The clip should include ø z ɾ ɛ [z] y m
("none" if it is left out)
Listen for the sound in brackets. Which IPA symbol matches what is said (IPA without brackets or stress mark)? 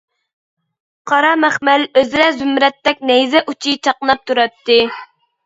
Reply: z